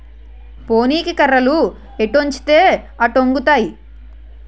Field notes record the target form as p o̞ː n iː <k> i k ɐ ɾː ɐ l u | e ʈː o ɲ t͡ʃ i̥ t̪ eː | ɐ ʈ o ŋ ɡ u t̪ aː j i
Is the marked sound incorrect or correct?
correct